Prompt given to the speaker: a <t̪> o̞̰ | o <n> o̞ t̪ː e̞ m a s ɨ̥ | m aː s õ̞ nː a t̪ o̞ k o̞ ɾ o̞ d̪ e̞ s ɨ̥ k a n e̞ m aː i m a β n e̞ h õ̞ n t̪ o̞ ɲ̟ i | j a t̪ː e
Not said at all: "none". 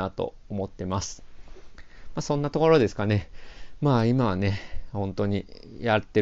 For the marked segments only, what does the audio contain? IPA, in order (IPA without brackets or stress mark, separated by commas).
t̪, m